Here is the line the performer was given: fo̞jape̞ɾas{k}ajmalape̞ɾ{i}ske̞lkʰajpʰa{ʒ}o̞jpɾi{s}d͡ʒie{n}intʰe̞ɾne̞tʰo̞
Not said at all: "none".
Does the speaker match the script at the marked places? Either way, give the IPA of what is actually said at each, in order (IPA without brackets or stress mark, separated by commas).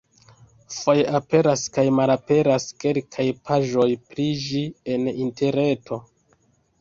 k, a, ʒ, none, n